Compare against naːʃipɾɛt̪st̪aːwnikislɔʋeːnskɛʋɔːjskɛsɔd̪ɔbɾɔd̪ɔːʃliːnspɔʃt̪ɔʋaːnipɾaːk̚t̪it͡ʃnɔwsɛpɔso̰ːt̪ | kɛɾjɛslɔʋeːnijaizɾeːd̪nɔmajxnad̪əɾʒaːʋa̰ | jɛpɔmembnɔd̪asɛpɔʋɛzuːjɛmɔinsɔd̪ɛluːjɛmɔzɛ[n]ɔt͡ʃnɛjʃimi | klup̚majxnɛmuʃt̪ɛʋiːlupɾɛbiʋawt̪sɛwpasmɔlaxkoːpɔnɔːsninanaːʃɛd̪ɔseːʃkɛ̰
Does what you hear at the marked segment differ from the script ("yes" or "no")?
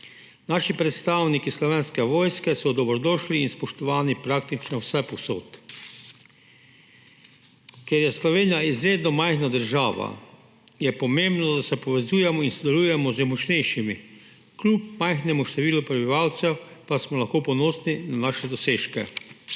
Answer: yes